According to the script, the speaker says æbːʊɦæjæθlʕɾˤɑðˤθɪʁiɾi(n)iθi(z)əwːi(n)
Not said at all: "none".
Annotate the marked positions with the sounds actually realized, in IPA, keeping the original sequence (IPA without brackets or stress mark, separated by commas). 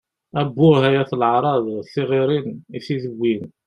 n, ð, n